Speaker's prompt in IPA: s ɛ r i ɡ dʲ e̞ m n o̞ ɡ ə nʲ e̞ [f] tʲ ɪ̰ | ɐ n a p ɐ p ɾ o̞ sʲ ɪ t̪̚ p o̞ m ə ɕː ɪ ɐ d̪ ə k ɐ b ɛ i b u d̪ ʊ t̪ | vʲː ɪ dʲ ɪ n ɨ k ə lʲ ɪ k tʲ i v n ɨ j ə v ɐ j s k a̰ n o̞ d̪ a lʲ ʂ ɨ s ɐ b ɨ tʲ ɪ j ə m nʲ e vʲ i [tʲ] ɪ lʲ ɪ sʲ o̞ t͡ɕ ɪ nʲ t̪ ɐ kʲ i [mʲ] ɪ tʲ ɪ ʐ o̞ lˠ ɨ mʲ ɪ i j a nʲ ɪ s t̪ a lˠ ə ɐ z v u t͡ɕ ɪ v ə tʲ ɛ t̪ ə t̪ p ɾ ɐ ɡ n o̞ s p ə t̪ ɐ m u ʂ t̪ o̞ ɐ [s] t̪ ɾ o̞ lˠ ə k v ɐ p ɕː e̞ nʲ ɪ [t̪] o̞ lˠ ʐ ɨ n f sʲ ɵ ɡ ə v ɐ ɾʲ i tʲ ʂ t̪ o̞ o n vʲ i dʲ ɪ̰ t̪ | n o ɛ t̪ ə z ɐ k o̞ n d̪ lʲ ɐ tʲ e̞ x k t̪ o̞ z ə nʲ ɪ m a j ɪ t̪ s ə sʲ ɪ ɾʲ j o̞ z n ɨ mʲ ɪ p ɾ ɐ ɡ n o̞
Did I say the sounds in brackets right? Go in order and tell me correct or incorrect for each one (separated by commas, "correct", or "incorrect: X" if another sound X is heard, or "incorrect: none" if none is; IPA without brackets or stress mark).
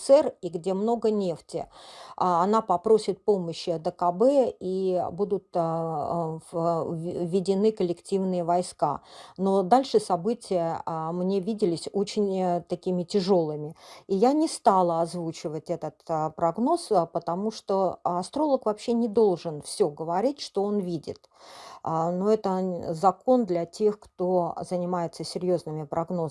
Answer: correct, incorrect: dʲ, correct, correct, incorrect: d̪